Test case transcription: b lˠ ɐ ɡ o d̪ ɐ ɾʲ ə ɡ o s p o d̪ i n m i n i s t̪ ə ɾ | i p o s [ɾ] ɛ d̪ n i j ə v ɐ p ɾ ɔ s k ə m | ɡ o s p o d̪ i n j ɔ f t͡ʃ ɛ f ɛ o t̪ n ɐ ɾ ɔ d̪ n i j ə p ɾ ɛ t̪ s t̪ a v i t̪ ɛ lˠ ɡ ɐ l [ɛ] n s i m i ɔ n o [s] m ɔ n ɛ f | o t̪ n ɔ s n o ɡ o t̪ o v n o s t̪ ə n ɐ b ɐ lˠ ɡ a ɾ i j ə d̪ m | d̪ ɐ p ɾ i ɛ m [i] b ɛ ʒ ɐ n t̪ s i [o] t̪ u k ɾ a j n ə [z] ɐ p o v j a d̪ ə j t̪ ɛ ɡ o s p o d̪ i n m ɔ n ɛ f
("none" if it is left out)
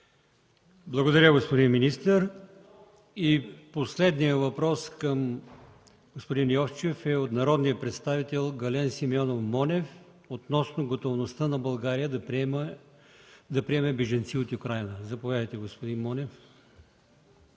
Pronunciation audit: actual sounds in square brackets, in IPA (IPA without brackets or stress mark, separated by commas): l, ɛ, f, ɛ, o, z